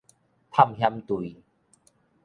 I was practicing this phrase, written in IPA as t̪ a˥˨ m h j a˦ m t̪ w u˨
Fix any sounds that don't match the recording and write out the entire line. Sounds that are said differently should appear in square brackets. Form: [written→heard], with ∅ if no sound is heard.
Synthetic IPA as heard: [t̪→t̪ʰ] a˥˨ m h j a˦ m t̪ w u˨